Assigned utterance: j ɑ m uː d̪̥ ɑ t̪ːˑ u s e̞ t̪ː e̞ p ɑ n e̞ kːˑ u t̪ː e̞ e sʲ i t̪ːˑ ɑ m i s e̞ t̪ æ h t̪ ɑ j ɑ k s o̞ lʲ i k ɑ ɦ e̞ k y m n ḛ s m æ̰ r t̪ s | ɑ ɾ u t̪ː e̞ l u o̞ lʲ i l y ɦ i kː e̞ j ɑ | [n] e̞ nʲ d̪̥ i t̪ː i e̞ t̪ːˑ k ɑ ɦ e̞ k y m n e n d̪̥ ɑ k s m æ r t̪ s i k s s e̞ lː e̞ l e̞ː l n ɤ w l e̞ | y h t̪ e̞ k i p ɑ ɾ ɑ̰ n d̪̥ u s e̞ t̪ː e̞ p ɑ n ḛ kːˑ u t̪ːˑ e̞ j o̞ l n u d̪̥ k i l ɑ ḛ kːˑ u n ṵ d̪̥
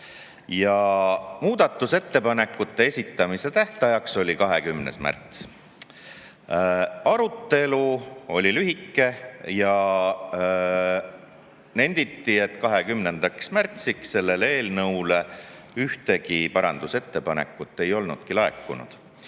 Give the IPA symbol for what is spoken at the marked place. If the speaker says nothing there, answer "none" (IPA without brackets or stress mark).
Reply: n